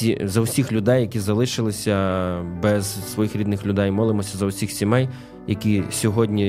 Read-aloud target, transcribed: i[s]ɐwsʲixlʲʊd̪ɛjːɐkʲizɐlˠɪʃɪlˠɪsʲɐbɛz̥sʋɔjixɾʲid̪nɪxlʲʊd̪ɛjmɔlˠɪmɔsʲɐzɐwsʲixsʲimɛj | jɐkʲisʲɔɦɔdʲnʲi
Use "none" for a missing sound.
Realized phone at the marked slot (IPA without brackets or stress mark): z